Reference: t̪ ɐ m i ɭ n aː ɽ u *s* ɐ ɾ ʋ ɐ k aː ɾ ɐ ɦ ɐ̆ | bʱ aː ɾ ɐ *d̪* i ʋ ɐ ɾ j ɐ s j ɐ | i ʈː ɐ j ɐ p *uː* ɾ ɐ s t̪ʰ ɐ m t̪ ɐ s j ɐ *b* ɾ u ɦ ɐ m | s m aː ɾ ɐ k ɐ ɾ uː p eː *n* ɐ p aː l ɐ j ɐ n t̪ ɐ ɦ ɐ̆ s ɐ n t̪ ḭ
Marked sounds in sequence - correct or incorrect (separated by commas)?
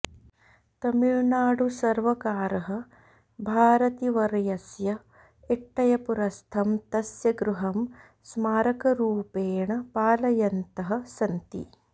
correct, incorrect, incorrect, incorrect, incorrect